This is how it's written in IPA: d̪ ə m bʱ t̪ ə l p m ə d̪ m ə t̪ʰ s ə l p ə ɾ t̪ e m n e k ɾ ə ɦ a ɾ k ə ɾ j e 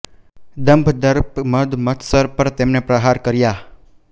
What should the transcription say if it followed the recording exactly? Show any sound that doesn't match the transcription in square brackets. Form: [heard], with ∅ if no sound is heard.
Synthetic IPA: d̪ ə m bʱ [d̪] ə [ɾ] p m ə d̪ m ə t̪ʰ s ə [ɾ] p ə ɾ t̪ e m n e [p] ɾ ə ɦ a ɾ k ə ɾ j [a]